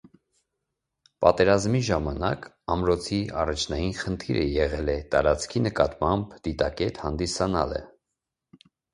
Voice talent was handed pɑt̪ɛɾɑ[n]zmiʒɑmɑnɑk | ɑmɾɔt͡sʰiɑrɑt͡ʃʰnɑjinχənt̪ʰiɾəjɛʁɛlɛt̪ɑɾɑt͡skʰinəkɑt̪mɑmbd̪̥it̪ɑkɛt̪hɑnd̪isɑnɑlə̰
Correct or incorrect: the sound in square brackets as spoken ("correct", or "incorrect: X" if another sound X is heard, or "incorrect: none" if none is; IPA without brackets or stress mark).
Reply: incorrect: none